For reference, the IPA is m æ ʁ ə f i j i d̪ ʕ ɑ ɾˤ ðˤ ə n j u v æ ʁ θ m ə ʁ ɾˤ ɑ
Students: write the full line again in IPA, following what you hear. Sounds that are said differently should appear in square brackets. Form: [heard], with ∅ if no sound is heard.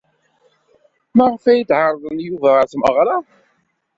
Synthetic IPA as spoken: m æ ʁ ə f [æ] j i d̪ ʕ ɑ ɾˤ ðˤ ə n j u v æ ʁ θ m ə ʁ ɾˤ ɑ